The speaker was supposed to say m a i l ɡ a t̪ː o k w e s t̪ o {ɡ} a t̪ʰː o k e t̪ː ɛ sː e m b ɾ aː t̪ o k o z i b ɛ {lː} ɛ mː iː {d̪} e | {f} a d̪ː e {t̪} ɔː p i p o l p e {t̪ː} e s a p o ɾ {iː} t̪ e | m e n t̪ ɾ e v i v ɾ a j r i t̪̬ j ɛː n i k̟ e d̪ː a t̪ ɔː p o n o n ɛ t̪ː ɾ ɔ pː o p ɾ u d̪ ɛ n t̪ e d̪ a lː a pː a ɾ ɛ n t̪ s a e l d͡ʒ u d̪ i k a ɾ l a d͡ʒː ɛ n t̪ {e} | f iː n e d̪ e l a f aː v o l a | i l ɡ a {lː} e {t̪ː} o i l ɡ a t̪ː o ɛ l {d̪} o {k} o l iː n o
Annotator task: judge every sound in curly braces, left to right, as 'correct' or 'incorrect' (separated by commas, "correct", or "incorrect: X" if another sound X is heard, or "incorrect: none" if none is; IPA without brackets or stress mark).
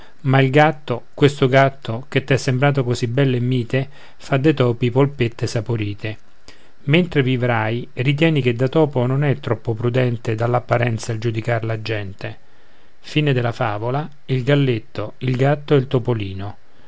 correct, correct, incorrect: t̪, correct, correct, correct, correct, correct, correct, correct, incorrect: t̪, incorrect: p